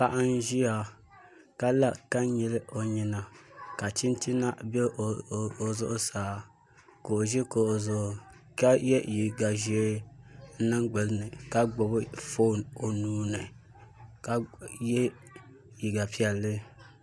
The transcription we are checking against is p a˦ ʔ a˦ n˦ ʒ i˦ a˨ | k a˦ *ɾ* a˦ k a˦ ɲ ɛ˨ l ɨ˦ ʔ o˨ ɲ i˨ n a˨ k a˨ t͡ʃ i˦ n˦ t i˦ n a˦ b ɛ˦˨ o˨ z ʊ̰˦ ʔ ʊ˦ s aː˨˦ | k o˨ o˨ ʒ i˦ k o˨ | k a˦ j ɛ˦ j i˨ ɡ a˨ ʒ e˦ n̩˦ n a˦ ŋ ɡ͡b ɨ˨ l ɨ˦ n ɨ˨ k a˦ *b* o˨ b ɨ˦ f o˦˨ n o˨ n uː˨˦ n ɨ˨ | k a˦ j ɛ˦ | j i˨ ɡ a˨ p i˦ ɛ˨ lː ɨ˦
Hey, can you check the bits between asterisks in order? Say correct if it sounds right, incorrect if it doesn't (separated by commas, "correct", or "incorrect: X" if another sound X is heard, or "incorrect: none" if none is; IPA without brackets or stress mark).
incorrect: l, incorrect: ɡ͡b